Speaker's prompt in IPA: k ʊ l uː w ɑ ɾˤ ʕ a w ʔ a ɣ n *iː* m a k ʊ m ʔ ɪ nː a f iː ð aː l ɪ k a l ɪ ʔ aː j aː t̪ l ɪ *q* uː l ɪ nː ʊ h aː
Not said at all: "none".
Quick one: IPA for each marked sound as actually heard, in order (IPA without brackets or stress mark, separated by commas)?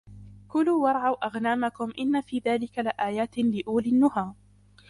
aː, ʔ